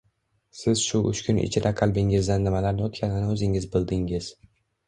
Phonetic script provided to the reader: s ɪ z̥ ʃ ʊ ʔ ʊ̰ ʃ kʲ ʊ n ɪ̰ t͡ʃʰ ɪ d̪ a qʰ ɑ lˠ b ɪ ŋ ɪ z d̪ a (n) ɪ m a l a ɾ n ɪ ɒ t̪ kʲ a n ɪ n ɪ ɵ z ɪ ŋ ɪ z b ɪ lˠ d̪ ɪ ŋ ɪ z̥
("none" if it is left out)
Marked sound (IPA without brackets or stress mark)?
nː